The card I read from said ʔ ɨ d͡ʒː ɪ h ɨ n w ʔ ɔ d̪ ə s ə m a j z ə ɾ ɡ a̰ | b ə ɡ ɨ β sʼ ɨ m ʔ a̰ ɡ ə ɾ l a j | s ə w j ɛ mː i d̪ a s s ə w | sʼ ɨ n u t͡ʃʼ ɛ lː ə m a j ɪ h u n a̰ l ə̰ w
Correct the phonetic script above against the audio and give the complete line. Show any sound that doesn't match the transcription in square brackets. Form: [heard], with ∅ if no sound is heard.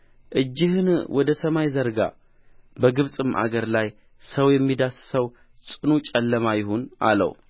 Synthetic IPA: ʔ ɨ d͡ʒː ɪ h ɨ n w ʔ ɔ d̪ ə s ə m a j z ə ɾ ɡ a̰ | b ə ɡ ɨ β sʼ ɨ m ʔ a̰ ɡ ə ɾ l a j | s ə w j ɛ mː i d̪ a s s ə w | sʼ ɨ n u t͡ʃʼ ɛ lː ə m a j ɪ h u n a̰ l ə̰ w